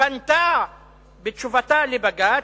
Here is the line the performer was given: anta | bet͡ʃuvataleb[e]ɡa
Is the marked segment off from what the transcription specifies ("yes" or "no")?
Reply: yes